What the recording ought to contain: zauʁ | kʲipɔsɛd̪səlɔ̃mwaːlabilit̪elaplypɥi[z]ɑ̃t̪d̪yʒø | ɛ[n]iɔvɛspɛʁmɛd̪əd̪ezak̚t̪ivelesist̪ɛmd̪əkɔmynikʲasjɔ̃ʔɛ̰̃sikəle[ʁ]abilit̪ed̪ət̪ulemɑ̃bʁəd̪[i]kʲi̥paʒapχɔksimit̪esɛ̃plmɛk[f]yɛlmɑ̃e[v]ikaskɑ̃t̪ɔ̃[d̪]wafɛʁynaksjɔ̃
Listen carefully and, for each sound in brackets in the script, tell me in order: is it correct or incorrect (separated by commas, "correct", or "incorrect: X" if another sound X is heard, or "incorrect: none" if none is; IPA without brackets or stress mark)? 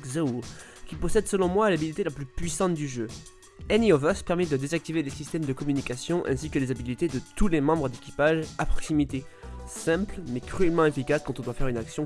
incorrect: s, correct, incorrect: z, incorrect: e, incorrect: χ, incorrect: f, correct